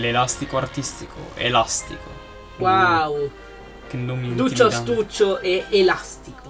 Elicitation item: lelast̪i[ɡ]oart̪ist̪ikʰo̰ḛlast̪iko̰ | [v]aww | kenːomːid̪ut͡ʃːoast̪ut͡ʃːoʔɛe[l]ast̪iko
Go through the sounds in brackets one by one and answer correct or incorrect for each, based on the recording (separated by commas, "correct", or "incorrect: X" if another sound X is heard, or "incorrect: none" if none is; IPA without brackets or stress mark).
incorrect: k, incorrect: w, correct